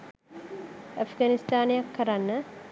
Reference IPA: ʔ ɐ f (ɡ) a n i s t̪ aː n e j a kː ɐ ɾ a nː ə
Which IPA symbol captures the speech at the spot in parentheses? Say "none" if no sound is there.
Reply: ɡ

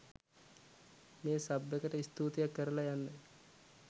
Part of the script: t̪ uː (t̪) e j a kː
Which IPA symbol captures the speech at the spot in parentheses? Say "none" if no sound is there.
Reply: t̪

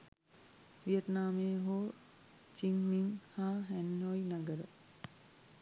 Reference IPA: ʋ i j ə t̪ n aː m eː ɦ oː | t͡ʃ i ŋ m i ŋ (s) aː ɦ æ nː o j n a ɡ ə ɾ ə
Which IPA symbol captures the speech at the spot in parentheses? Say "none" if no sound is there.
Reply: h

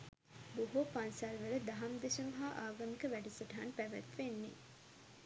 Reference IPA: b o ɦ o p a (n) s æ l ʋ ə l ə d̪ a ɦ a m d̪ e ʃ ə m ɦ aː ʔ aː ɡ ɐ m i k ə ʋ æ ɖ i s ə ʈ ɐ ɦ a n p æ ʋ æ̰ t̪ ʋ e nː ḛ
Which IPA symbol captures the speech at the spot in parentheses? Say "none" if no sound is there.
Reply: n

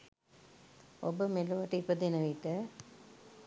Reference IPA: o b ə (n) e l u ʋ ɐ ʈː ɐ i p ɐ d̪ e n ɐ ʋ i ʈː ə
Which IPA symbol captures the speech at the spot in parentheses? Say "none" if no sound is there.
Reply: m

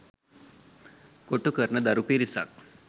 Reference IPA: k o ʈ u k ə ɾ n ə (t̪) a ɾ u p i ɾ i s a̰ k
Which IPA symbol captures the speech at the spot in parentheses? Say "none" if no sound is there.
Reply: d̪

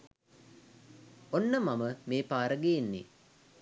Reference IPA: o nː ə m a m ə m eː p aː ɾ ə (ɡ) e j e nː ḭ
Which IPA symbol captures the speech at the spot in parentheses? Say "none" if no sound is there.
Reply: ɡ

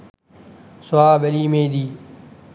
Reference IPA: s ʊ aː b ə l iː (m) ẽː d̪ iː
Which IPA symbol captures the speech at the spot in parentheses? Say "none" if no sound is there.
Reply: m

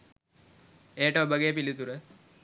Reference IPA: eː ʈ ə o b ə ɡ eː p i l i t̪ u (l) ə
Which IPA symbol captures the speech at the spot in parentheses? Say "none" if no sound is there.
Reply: ɾ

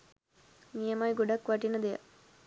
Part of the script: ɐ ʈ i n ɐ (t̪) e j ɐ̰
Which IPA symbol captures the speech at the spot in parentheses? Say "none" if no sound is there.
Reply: d̪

